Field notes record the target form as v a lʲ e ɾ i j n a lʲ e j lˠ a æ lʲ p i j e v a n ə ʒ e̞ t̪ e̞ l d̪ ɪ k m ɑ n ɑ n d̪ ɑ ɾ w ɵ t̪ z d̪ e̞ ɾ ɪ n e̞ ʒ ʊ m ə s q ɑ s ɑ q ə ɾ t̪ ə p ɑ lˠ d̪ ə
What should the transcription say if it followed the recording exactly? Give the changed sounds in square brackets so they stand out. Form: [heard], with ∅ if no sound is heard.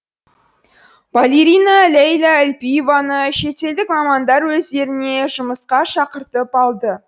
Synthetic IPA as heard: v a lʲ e ɾ i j n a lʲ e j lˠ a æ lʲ p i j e v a n ə [ʃ] e̞ t̪ e̞ l d̪ ɪ k m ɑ [m] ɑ n d̪ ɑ ɾ w ɵ [∅] z d̪ e̞ ɾ ɪ n e̞ ʒ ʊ m ə s q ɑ [ʃ] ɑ q ə ɾ t̪ ə p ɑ lˠ d̪ ə